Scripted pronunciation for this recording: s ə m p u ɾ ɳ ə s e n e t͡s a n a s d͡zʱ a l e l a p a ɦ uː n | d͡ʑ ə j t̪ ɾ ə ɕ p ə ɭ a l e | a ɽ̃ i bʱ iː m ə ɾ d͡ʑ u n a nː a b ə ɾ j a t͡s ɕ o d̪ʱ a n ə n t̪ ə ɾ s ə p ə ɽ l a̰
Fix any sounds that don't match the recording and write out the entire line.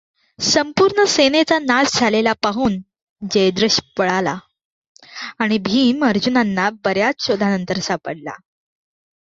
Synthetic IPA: s ə m p u ɾ ɳ ə s e n e t͡s a n a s d͡zʱ a l e l a p a ɦ uː n | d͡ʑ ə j d̪ ɾ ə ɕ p ə ɭ a l a | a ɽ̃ i bʱ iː m ə ɾ d͡ʑ u n a nː a b ə ɾ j a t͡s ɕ o d̪ʱ a n ə n t̪ ə ɾ s a p ə ɽ l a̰